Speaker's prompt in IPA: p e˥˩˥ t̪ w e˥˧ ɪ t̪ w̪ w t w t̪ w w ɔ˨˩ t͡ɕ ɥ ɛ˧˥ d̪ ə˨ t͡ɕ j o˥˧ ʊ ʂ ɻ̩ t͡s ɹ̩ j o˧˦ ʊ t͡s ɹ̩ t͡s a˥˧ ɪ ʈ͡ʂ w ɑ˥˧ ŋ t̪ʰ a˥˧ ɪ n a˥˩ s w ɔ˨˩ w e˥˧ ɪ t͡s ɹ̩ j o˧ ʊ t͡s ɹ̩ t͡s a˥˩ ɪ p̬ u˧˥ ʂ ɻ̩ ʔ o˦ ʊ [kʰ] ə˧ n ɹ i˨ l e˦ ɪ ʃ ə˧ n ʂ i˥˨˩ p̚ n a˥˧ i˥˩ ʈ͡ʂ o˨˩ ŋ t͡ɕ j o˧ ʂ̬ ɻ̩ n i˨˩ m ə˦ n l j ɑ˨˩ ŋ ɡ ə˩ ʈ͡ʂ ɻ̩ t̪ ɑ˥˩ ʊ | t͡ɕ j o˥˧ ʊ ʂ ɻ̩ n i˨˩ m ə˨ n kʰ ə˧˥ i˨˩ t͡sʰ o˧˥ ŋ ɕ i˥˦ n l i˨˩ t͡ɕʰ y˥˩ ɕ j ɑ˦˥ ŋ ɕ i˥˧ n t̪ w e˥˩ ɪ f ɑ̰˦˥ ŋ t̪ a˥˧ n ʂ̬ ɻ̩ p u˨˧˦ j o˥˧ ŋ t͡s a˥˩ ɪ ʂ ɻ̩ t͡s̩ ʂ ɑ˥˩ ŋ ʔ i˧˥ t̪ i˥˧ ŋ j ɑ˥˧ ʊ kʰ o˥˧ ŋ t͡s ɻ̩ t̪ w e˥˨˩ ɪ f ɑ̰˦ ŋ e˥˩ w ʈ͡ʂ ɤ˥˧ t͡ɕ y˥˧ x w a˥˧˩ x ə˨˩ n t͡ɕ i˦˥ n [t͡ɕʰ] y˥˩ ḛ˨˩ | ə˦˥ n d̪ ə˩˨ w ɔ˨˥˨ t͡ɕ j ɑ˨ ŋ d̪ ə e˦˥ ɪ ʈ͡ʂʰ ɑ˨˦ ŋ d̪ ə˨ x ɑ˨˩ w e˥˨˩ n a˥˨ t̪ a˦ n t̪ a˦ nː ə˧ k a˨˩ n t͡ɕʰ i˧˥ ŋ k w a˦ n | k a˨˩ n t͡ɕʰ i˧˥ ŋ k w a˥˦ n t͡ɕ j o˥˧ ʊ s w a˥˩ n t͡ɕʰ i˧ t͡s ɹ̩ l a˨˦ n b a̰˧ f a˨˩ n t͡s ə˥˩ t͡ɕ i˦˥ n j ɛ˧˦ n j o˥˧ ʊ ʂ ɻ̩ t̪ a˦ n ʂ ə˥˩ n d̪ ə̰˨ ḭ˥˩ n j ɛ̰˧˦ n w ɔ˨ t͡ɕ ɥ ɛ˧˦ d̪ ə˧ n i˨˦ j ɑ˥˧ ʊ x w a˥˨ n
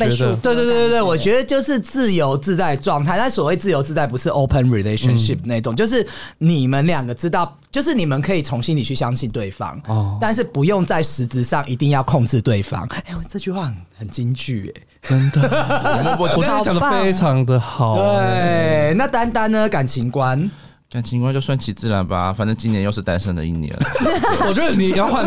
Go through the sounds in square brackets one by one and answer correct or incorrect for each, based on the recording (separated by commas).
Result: incorrect, incorrect